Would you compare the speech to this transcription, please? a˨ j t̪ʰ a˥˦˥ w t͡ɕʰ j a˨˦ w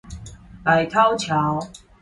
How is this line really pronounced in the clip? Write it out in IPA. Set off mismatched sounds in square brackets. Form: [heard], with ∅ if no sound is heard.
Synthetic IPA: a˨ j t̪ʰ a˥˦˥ w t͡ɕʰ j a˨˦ w